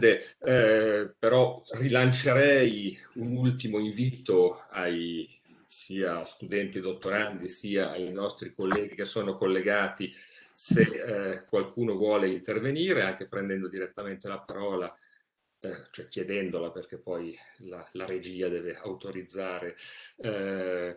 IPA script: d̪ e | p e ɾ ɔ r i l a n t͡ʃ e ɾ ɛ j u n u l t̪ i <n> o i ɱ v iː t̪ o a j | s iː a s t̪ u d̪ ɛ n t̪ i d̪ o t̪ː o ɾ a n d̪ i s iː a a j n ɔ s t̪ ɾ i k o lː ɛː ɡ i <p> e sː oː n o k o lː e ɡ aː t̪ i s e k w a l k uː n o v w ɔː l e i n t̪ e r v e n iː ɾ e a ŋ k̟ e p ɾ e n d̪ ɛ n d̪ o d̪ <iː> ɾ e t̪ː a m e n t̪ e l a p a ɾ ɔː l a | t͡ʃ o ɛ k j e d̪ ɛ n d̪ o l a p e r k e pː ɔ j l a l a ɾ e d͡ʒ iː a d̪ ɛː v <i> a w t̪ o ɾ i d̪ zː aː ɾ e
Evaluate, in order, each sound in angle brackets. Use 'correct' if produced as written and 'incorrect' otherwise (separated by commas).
incorrect, incorrect, incorrect, incorrect